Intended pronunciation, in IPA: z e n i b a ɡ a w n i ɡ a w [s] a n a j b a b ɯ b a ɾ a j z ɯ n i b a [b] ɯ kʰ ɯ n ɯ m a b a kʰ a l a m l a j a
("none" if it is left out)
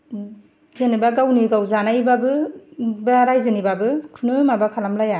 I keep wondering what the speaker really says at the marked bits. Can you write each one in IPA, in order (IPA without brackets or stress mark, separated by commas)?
z, b